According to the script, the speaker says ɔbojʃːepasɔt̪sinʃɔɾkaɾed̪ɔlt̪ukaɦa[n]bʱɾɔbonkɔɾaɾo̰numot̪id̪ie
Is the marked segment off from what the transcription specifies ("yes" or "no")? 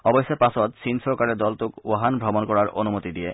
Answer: no